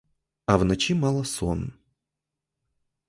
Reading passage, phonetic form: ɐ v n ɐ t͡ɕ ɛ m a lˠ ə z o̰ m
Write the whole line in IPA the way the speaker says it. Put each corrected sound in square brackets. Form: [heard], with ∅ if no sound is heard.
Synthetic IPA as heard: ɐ v n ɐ t͡ɕ [i] m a lˠ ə [s] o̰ [n]